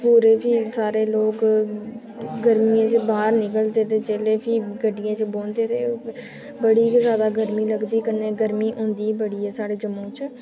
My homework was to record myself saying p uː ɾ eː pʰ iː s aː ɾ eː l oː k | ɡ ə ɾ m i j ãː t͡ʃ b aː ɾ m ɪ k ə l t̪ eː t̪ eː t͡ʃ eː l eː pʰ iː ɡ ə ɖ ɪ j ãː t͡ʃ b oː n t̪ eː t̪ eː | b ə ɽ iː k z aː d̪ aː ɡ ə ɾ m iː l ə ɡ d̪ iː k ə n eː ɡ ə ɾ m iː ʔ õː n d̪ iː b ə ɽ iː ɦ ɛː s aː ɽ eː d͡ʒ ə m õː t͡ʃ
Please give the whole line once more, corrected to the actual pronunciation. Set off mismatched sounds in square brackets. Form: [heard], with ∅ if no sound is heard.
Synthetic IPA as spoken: p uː ɾ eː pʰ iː s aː ɾ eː l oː k | ɡ ə ɾ m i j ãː t͡ʃ b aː ɾ [n] ɪ k ə l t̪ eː t̪ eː t͡ʃ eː l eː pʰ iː ɡ ə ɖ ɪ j ãː t͡ʃ b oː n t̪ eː t̪ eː | b ə ɽ iː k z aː d̪ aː ɡ ə ɾ m iː l ə ɡ d̪ iː k ə n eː ɡ ə ɾ m iː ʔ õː n d̪ iː b ə ɽ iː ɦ ɛː s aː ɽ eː d͡ʒ ə m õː t͡ʃ